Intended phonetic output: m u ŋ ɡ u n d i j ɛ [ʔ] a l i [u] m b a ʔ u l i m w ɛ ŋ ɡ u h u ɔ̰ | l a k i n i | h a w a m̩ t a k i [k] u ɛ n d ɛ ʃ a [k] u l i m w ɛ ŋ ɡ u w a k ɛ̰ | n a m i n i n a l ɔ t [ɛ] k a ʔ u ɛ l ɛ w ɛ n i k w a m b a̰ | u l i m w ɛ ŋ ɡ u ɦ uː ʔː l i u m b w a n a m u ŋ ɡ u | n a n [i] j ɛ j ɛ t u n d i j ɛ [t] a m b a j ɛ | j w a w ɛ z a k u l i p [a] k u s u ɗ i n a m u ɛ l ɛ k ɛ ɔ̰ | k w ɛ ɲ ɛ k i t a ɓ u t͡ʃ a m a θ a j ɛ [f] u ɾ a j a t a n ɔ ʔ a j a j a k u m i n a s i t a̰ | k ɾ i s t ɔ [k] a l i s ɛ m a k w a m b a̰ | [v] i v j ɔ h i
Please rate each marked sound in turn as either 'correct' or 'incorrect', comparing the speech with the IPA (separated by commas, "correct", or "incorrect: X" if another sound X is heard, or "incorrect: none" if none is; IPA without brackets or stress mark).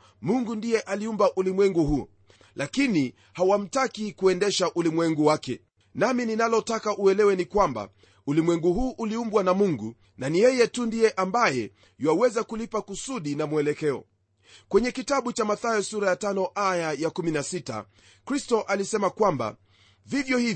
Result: correct, correct, correct, incorrect: ʔ, incorrect: a, correct, incorrect: ʔ, correct, incorrect: s, incorrect: ʔ, correct